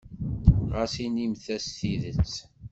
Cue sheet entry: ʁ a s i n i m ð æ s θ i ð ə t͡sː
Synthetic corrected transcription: ʁ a s i n i m θ æ s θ i ð ə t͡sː